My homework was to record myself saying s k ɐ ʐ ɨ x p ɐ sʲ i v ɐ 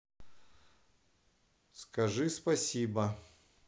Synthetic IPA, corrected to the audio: s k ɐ ʐ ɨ s p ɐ sʲ i b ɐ

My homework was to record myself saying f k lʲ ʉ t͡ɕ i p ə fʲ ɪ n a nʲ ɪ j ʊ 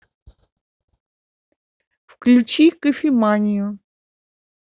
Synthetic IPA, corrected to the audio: f k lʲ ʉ t͡ɕ i k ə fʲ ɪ m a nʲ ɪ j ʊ

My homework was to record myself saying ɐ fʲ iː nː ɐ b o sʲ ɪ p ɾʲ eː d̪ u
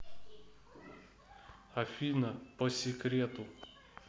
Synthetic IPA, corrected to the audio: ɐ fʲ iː n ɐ p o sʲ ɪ k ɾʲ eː t̪ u

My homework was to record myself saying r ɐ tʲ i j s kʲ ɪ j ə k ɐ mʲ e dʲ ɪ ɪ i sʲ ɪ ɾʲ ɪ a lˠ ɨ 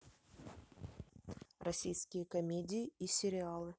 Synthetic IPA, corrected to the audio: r ɐ sʲ i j s kʲ ɪ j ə k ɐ mʲ e dʲ ɪ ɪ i sʲ ɪ ɾʲ ɪ a lˠ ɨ

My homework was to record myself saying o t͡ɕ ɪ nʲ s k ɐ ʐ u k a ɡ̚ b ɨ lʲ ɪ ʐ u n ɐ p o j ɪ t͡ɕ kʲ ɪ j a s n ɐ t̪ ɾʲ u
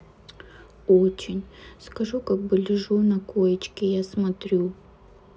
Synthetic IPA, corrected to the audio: o t͡ɕ ɪ nʲ s k ɐ ʐ u k a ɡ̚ b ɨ lʲ ɪ ʐ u n ɐ k o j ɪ t͡ɕ kʲ ɪ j a s m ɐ t̪ ɾʲ u

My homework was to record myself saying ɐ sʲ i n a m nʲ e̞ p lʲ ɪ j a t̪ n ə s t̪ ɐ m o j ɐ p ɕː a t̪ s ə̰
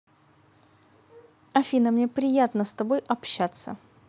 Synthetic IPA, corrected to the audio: ɐ fʲ i n ə m nʲ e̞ p ɾʲ ɪ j a t̪ n ə s t̪ ɐ b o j ɐ p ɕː a t̪ s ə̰

